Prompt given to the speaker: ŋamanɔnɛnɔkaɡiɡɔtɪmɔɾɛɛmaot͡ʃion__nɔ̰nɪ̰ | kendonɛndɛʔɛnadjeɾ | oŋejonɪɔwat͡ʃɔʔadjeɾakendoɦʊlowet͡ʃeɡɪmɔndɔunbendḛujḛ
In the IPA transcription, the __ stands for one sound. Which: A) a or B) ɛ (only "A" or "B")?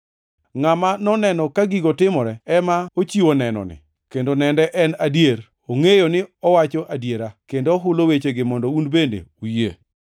B